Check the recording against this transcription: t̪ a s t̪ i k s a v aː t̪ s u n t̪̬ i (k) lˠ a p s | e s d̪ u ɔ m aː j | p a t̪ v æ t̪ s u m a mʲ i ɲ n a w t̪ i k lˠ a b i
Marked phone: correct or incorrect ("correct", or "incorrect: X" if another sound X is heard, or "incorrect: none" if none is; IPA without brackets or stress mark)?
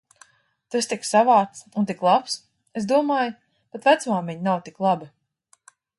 correct